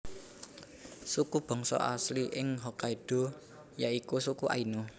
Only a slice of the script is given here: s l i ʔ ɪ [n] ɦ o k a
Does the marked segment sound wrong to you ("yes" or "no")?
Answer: yes